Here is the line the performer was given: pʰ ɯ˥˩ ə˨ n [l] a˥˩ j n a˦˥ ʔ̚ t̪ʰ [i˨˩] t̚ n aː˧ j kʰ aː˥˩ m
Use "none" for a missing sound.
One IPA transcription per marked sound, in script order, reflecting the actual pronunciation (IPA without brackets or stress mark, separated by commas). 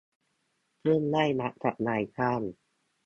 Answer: l, a˨˩